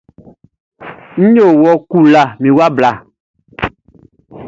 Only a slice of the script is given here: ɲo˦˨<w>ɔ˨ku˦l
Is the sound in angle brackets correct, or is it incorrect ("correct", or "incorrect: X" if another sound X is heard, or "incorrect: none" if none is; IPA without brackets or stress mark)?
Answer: correct